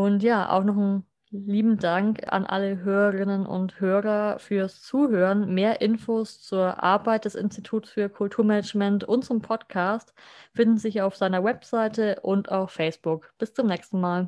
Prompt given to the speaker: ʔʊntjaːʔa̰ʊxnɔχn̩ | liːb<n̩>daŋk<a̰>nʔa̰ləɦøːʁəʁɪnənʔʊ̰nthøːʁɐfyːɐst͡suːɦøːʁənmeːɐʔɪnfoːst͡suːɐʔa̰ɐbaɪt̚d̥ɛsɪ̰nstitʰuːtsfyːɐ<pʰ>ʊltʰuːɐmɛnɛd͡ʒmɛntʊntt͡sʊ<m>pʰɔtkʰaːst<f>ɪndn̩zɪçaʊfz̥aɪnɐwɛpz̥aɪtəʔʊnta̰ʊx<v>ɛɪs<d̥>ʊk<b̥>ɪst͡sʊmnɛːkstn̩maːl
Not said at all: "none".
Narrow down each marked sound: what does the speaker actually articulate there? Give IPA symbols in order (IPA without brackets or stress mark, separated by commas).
m̩, a̰, kʰ, m, f, f, b̥, b̥